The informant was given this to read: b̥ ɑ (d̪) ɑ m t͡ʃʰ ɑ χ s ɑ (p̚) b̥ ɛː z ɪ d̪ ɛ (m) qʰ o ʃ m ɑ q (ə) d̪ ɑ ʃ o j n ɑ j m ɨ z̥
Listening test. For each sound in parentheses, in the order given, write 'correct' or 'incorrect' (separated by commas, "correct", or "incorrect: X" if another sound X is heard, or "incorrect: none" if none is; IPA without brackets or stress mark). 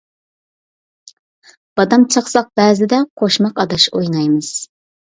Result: correct, incorrect: q̚, incorrect: none, incorrect: ɑ